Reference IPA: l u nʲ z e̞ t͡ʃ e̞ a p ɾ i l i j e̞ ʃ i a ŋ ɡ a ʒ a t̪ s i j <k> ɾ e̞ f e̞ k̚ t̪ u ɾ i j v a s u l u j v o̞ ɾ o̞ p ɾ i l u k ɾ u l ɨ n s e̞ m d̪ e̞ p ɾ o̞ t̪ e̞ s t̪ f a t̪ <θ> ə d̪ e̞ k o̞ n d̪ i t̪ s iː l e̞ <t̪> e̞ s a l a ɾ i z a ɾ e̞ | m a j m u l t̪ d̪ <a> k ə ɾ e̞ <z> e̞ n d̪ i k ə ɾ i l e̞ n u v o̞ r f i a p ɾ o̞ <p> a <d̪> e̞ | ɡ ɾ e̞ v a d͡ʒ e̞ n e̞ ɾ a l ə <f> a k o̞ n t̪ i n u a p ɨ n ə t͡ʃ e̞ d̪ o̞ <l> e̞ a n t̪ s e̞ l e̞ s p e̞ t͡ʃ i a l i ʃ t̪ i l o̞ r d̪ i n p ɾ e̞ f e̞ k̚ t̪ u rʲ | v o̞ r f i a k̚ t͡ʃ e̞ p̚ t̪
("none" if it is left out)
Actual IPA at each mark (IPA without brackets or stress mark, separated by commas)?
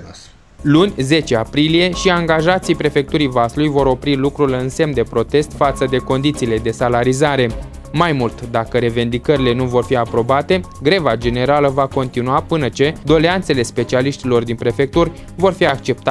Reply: p, s, d̪, a, v, b, t̪, v, l